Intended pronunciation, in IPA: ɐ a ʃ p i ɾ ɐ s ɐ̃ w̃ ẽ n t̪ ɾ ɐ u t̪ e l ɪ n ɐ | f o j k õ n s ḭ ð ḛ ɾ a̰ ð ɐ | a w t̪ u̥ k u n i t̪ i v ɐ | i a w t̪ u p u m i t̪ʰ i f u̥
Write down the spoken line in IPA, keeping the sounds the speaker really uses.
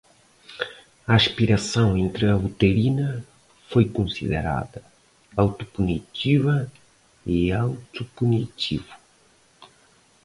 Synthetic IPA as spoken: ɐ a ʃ p i ɾ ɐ s ɐ̃ w̃ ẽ n t̪ ɾ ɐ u t̪ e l i n ɐ | f o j k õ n s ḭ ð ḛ ɾ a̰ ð ɐ | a w t̪ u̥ p u n i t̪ i v ɐ | i a w t̪ u p u n i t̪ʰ i v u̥

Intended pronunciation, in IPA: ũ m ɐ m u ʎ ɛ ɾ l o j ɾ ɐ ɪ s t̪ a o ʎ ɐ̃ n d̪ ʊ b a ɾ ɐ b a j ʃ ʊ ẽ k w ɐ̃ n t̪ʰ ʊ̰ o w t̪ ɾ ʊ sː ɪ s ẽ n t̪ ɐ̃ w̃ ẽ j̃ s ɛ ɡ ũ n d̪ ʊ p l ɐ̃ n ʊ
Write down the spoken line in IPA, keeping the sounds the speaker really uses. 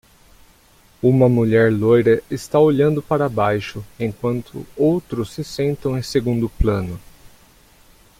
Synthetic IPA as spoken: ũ m ɐ m u ʎ ɛ ɾ l o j ɾ ɐ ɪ s t̪ a o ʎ ɐ̃ n d̪ ʊ p a ɾ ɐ b a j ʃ ʊ ẽ k w ɐ̃ n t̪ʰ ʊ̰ o w t̪ ɾ ʊ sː ɪ s ẽ n t̪ ɐ̃ w̃ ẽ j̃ s e ɡ ũ n d̪ ʊ p l ɐ̃ n ʊ

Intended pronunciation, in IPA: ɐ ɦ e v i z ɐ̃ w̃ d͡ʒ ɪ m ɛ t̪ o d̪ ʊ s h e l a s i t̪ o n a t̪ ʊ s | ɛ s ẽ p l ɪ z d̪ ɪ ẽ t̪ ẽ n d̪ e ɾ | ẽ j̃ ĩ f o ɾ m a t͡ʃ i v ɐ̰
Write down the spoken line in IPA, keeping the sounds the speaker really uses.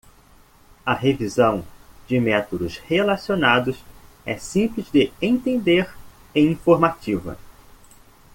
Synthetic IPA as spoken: ɐ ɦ e v i z ɐ̃ w̃ d͡ʒ ɪ m ɛ t̪ o d̪ ʊ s h e l a s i o n a d̪ ʊ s | ɛ s ĩ p l ɪ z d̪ ɪ ẽ t̪ ẽ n d̪ e ɾ | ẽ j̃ ĩ f o ɾ m a t͡ʃ i v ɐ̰

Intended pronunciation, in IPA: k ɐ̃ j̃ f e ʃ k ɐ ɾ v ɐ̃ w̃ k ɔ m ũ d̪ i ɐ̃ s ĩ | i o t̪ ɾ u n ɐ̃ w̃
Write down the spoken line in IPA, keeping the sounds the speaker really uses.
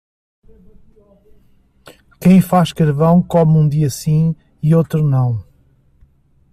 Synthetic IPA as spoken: k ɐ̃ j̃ f a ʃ k ɐ ɾ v ɐ̃ w̃ k ɔ m ũ d̪ i ɐ s ĩ | i o t̪ ɾ u n ɐ̃ w̃

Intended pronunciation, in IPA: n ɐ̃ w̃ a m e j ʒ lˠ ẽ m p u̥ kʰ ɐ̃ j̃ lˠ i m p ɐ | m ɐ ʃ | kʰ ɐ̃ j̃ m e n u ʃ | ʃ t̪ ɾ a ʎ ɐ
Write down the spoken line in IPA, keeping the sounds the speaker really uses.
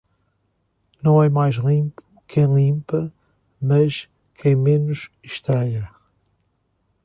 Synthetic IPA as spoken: n ɐ̃ w̃ ɛ m a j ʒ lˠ ĩ m p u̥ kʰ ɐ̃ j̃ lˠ ĩ m p ɐ | m ɐ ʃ | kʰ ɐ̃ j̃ m e n u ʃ | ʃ t̪ ɾ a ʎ ɐ

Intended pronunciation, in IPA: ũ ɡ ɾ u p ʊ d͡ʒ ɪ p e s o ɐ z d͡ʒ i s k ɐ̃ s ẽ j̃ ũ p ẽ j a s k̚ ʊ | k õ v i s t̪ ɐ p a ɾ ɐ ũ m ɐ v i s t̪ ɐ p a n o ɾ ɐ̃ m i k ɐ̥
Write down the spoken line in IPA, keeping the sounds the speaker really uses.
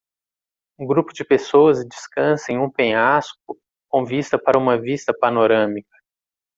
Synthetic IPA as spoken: ũ ɡ ɾ u p ʊ d͡ʒ ɪ p e s o ɐ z d͡ʒ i s k ɐ̃ s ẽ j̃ ũ p ẽ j a s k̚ ʊ | k õ v i s t̪ ɐ p a ɾ ɐ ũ m ɐ v i s t̪ ɐ p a n o ɾ ɐ̃ m i k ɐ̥

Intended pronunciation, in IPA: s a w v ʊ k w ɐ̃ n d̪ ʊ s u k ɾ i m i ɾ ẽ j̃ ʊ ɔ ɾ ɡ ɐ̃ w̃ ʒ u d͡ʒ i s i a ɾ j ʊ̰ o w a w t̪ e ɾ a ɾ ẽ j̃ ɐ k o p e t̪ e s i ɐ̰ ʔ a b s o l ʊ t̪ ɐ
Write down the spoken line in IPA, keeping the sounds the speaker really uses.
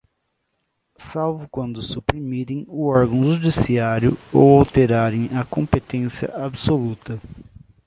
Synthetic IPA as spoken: s a w v ʊ k w ɐ̃ n d̪ ʊ s u p ɾ i m i ɾ ẽ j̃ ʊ ɔ ɾ ɡ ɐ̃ w̃ ʒ u d͡ʒ i s i a ɾ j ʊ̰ o w a w t̪ e ɾ a ɾ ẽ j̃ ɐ k õ p e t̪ ẽ s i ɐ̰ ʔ a b s o l u t̪ ɐ

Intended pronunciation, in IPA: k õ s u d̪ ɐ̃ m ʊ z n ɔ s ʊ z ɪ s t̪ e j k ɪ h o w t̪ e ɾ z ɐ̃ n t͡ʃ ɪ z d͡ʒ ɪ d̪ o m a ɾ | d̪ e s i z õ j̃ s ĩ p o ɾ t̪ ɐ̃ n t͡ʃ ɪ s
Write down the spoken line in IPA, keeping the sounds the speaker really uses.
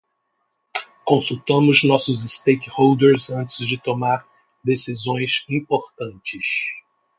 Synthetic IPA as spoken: k õ s u t̪ ɐ̃ m ʊ z n ɔ s ʊ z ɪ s t̪ e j k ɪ h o w d̪ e ɾ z ɐ̃ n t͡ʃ ɪ z d͡ʒ ɪ t̪ o m a ɾ | d̪ e s i z õ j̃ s ĩ p o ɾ t̪ ɐ̃ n t͡ʃ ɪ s

